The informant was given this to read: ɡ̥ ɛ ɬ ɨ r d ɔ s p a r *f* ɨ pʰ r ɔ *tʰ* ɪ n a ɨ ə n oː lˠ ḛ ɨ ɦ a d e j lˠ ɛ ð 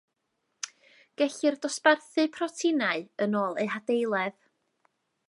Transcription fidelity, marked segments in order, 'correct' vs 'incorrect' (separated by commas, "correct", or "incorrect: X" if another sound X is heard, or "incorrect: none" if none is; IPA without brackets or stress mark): incorrect: θ, correct